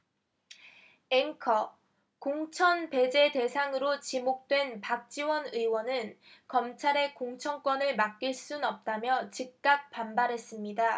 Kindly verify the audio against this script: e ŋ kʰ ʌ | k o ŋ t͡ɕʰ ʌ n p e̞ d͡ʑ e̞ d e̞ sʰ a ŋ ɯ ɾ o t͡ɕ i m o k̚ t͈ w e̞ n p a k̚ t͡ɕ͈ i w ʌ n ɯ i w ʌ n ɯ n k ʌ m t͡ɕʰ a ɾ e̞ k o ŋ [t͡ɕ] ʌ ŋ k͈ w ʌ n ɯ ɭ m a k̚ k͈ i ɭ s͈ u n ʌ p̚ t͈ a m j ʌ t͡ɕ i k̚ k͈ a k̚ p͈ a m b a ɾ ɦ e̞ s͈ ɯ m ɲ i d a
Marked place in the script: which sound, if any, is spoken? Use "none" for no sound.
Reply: t͡ɕʰ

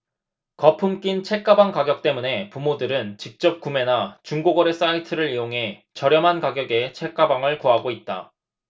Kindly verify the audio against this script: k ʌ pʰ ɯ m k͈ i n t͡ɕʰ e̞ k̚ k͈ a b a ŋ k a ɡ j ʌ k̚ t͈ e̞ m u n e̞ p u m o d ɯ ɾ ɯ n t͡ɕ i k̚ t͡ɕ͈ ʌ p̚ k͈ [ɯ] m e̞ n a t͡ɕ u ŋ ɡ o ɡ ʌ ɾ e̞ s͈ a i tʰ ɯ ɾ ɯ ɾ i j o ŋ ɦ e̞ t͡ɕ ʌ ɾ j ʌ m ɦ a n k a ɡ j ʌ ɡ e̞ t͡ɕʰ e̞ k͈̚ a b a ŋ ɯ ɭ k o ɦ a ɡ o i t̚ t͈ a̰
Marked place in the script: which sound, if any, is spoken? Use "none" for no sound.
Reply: u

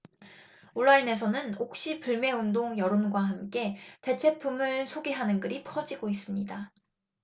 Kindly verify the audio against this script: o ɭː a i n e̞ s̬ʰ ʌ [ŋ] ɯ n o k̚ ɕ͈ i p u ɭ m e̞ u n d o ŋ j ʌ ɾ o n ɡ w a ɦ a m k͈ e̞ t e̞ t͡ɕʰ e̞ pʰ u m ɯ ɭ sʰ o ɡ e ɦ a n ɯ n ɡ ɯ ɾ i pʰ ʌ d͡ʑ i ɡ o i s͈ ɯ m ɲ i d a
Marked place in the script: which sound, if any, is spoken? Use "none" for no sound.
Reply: n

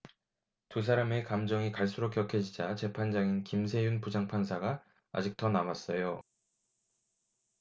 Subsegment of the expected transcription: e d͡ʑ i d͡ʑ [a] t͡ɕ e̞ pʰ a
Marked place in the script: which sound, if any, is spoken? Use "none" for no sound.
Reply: a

